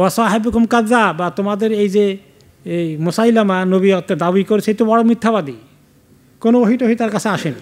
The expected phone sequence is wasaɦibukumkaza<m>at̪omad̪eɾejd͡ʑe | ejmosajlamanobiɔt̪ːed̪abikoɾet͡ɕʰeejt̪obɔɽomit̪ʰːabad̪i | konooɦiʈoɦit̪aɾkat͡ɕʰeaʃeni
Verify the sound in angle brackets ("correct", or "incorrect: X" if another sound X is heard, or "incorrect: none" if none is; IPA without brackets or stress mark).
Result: incorrect: b